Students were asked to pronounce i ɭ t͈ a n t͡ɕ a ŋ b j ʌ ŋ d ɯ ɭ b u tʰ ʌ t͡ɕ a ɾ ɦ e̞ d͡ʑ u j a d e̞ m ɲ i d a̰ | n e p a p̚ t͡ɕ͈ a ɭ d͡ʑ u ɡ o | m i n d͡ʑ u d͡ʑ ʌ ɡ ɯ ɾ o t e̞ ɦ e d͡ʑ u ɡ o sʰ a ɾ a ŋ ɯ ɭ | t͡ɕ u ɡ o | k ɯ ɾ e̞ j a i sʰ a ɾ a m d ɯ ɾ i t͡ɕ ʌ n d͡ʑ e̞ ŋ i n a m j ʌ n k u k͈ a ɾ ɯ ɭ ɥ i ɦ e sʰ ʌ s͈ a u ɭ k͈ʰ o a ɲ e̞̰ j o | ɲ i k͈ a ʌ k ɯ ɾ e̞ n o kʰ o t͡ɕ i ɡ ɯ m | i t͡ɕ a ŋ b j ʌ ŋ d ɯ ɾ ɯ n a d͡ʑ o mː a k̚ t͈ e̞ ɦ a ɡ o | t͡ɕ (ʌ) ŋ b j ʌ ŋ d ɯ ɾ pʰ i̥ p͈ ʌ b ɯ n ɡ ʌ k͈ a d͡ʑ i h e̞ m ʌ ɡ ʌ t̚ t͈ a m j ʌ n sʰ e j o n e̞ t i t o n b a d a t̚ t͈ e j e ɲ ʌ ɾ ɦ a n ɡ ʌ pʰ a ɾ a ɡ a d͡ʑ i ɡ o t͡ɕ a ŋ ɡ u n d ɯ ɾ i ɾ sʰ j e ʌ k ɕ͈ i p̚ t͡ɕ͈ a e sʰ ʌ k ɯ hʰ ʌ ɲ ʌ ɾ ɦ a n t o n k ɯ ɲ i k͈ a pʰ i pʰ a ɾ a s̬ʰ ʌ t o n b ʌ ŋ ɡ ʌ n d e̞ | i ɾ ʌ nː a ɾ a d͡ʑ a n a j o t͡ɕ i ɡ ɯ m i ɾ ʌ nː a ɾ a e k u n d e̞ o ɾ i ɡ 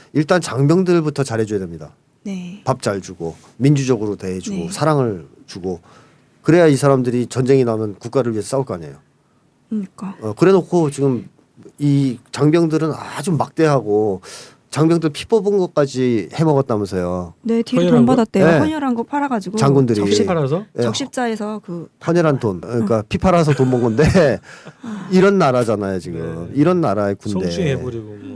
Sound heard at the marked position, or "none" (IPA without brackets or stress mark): a